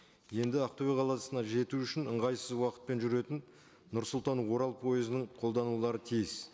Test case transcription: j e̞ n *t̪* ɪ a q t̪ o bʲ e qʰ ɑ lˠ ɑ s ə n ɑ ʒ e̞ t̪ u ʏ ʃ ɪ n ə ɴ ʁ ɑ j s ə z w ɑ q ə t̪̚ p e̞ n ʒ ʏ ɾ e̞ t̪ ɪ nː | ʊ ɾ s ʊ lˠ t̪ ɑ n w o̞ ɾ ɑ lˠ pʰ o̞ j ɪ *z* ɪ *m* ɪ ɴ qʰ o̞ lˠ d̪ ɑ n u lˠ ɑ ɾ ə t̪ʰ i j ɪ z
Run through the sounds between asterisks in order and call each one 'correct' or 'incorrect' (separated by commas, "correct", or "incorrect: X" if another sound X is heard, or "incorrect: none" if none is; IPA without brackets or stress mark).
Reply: incorrect: d̪, correct, incorrect: n